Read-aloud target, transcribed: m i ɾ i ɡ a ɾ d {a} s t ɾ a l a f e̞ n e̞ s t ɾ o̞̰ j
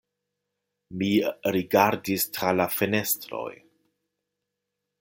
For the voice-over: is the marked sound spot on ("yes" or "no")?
no